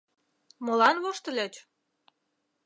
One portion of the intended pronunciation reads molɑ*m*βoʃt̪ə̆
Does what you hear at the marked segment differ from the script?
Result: yes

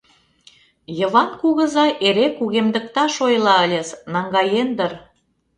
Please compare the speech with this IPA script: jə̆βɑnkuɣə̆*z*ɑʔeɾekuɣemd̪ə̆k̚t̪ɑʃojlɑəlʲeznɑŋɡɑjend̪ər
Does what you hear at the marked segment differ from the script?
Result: no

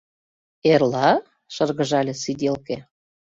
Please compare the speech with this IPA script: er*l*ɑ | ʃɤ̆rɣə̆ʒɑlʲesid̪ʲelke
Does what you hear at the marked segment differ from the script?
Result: no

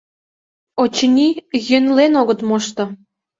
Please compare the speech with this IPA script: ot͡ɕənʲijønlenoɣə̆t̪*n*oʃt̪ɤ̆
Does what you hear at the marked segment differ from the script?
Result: yes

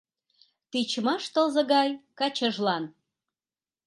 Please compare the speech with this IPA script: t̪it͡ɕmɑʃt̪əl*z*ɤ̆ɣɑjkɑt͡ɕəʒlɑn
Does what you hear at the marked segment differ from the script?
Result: no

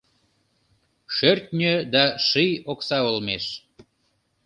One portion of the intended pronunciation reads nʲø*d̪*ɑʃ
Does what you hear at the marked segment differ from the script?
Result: no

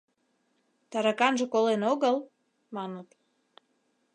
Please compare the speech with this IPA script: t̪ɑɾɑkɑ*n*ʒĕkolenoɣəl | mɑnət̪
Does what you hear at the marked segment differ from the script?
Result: no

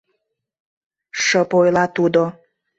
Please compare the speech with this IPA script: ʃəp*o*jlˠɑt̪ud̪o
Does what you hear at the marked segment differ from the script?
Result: no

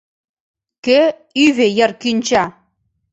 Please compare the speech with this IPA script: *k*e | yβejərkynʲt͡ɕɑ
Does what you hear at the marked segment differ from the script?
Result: no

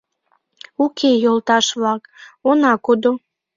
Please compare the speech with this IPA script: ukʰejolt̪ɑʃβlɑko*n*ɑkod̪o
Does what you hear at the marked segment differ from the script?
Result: no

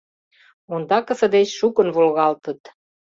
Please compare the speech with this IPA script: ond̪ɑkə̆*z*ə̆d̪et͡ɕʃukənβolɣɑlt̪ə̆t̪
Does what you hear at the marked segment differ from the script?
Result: yes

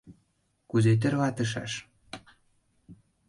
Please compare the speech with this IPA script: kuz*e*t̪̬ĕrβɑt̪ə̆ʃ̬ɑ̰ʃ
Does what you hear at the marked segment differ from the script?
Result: no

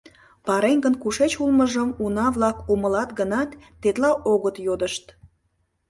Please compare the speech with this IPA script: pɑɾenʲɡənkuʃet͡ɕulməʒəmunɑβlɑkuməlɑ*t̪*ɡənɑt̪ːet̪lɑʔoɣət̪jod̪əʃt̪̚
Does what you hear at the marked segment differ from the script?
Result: no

